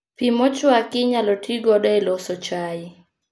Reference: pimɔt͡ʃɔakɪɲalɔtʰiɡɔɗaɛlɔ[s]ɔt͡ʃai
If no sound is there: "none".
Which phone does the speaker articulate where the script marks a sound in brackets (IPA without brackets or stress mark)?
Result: s